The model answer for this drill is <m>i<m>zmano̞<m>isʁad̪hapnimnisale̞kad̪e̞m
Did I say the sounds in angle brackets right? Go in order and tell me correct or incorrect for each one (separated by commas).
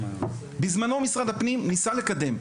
incorrect, incorrect, correct